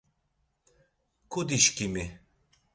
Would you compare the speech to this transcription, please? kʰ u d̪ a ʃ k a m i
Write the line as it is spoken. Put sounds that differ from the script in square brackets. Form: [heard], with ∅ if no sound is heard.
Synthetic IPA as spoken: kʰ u d̪ [i] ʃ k [i] m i